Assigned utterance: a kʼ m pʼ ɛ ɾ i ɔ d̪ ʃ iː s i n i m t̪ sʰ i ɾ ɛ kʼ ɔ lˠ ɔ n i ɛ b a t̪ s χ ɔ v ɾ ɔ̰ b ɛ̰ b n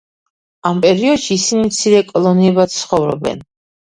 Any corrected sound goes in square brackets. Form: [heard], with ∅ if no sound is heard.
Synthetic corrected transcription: a [∅] m pʼ ɛ ɾ i ɔ d̪ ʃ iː s i n i m t̪ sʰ i ɾ ɛ kʼ ɔ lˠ ɔ n i ɛ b a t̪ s χ ɔ v ɾ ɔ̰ b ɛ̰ [∅] n